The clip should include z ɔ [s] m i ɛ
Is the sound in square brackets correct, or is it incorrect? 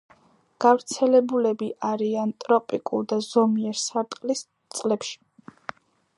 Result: incorrect